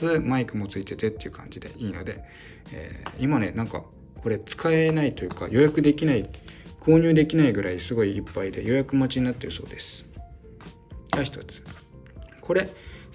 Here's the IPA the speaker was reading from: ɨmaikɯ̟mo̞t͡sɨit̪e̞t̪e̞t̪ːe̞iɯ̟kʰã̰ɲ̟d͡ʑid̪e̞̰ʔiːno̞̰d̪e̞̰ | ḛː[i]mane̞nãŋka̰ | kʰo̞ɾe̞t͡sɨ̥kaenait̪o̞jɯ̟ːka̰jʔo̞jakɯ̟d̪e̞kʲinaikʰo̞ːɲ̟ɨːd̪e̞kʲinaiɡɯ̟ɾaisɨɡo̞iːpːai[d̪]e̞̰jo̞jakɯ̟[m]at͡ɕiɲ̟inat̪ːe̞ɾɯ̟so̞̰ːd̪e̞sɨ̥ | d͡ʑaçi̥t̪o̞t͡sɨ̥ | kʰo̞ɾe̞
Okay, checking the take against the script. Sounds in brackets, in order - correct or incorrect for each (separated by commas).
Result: correct, correct, correct